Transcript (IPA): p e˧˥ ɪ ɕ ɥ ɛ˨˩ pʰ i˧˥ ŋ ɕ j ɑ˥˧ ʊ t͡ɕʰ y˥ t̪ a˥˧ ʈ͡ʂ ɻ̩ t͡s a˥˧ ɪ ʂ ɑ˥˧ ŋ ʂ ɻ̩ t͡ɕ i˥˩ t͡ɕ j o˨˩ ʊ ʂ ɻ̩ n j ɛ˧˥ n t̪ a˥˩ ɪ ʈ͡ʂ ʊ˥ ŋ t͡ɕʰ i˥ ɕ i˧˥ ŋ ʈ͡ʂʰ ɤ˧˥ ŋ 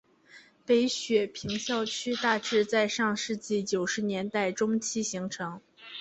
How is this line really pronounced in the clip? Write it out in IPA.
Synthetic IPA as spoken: p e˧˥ ɪ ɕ ɥ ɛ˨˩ pʰ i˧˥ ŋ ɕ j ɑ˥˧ ʊ t͡ɕʰ y˥ t̪ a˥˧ ʈ͡ʂ ɻ̩ t͡s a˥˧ ɪ ʂ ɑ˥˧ ŋ ʂ ɻ̩ t͡ɕ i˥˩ t͡ɕ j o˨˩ ʊ ʂ ɻ̩ n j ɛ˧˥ n t̪ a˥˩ ɪ ʈ͡ʂ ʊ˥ ŋ t͡ɕʰ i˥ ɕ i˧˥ ŋ ʈ͡ʂʰ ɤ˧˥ ŋ